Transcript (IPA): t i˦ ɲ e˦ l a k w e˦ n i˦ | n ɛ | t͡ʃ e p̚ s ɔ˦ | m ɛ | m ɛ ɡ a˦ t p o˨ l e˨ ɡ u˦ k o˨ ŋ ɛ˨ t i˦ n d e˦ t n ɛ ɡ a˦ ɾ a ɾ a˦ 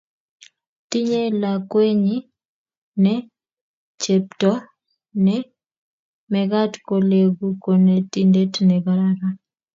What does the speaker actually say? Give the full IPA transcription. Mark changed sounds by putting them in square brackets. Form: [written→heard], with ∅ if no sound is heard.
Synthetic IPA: t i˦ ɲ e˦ l a k w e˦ [n→ɲ] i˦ | n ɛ | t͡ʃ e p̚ [s→t] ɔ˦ | [m→n] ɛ | m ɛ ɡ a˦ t [p→k] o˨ l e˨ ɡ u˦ k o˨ [ŋ→n] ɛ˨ t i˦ n d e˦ t n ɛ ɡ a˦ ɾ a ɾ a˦

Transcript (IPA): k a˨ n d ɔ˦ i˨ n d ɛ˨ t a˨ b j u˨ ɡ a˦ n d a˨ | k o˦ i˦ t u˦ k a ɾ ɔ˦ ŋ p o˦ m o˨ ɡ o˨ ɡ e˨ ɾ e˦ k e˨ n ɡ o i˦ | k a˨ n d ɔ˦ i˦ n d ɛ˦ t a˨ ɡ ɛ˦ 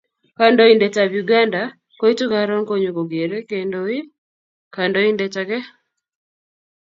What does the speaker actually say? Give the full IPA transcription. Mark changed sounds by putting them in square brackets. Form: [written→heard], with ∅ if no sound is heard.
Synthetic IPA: k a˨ n d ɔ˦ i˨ n d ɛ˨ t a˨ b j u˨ ɡ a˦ n d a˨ | k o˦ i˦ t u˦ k a ɾ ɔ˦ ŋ [p→k] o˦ [m→ɲ] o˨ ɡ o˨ ɡ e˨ ɾ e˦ k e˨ n [ɡ→d] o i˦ | k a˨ n d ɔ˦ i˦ n d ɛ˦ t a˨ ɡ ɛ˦

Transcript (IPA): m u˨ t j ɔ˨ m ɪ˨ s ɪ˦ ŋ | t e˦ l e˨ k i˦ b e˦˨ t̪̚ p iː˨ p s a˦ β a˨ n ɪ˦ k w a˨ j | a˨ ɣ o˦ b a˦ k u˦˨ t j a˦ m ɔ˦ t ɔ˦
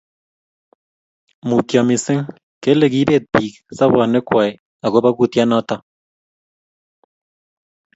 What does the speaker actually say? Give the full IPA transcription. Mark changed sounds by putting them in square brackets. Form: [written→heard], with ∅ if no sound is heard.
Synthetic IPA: m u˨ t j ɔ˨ m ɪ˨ s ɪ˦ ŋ | [t→k] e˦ l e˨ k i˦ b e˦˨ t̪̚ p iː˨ [p→k] s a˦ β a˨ n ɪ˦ k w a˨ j | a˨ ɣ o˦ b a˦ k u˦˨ t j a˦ [m→n] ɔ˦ t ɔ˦

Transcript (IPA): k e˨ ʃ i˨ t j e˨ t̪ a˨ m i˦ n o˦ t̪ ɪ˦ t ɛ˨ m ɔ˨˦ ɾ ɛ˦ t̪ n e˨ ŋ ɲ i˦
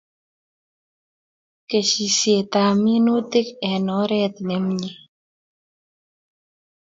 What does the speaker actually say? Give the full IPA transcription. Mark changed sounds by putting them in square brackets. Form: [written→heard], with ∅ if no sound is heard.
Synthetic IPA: k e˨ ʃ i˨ [t→s] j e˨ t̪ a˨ m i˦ n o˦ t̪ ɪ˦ [t→k] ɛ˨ [m→n] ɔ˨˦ ɾ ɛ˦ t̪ n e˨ [ŋ→m] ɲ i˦

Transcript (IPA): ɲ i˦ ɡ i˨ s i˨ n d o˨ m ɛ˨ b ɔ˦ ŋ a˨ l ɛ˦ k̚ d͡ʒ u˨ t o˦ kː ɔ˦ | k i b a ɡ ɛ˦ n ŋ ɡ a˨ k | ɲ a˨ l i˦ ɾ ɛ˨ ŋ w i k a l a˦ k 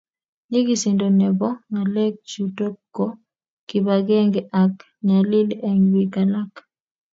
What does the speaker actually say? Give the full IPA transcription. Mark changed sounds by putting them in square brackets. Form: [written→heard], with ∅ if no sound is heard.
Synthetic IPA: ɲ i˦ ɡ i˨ s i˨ n d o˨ [m→n] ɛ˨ b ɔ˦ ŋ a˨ l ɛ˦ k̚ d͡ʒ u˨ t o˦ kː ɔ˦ | k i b a ɡ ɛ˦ [n→∅] ŋ ɡ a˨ k | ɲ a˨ l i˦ [ɾ→l] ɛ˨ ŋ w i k a l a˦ k

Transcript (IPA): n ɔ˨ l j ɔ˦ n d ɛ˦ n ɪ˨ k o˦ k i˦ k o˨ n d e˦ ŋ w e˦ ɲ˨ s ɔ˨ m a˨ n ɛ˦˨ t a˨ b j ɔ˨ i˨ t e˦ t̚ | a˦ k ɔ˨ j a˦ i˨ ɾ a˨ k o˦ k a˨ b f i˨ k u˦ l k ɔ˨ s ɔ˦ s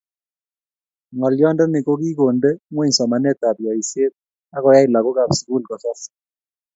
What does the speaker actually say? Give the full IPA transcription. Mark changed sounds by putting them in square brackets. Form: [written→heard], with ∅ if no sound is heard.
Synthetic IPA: [n→ŋ] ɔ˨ l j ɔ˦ n d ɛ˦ n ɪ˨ k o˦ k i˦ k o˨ n d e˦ ŋ w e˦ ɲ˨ s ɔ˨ m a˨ n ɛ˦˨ t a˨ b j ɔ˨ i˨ [t→s] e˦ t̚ | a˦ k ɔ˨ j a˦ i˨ [ɾ→l] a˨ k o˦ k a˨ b [f→s] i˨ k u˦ l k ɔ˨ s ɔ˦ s

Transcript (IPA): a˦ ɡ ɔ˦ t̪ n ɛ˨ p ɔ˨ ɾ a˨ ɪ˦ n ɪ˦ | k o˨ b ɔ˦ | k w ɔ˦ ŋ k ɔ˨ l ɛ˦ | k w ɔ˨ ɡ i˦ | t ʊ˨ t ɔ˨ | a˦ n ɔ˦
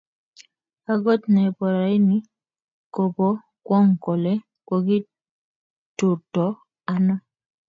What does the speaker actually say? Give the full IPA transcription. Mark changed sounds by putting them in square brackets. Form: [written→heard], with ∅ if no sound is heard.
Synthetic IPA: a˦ ɡ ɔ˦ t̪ n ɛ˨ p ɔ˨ ɾ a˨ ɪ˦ n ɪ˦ | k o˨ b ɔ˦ | k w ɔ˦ ŋ k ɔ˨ l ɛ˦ | k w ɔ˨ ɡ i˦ | t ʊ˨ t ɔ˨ | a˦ n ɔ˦

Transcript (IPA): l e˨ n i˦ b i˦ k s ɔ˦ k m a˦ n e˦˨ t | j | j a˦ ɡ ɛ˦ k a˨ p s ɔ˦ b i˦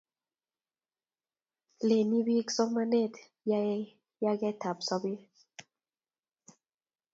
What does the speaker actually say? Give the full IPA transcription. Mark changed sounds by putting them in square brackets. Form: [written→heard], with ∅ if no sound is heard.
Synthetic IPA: l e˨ n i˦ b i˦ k s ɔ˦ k m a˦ n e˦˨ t | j | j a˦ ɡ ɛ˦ [k→t] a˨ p s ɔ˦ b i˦

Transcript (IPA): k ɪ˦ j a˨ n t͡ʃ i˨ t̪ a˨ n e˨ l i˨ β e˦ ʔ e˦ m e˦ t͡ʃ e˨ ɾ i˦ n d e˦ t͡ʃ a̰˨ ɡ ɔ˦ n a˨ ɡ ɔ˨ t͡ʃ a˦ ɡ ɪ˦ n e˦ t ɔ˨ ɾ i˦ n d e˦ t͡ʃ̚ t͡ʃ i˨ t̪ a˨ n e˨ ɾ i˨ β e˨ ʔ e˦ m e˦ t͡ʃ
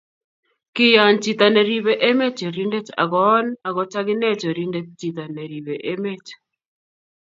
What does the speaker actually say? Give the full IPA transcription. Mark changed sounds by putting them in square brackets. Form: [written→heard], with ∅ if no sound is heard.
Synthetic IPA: k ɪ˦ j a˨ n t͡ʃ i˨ t̪ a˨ n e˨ [l→ɾ] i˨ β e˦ ʔ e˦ m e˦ t͡ʃ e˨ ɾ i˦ n d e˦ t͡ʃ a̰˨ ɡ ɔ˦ n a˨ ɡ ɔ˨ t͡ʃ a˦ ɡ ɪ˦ n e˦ [t→t͡ʃ] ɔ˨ ɾ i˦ n d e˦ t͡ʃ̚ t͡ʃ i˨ t̪ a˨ n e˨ ɾ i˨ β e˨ ʔ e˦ m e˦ t͡ʃ

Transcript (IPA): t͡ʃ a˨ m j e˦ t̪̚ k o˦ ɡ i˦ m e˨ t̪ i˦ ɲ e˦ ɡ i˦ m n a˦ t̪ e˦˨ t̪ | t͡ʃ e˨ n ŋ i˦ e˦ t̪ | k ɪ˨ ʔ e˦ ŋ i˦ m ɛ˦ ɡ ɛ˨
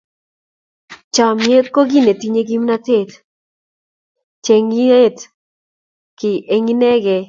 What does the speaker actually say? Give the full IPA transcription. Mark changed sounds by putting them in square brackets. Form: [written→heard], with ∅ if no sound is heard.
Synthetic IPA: t͡ʃ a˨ m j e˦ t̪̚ k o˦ ɡ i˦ [m→n] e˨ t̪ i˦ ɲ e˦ ɡ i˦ m n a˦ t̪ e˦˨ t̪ | t͡ʃ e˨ [n→∅] ŋ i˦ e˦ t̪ | k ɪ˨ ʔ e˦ ŋ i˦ [m→n] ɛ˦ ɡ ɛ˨

